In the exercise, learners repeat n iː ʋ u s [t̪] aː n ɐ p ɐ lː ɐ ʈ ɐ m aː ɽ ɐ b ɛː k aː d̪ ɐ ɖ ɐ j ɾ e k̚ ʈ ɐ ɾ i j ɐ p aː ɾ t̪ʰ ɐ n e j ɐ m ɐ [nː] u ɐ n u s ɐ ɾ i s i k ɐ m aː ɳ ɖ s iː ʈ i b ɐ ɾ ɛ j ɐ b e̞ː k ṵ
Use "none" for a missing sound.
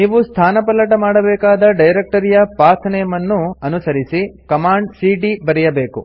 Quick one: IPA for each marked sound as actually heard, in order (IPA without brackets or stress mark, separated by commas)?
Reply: t̪ʰ, nː